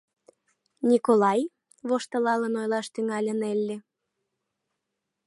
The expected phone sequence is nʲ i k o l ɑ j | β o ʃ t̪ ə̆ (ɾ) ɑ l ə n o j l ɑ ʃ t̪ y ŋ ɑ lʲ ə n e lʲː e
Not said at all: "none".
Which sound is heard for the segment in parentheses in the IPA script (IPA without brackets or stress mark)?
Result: l